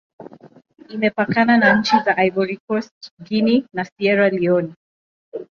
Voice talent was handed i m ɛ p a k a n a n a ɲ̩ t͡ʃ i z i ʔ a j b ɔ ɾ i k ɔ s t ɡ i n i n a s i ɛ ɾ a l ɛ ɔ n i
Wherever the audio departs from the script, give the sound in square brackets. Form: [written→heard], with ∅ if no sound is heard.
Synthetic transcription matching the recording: i m ɛ p a k a n a n a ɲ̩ t͡ʃ i z [i→a] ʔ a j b ɔ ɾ i k ɔ s t ɡ i n i n a s i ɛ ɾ a l [ɛ→i] ɔ n i